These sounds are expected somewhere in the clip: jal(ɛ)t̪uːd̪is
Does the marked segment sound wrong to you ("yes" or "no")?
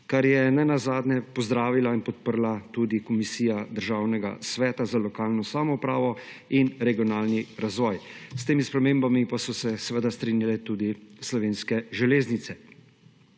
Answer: no